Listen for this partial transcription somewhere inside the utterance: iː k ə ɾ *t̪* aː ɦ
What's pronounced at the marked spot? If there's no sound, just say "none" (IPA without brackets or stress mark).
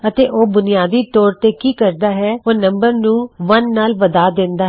d̪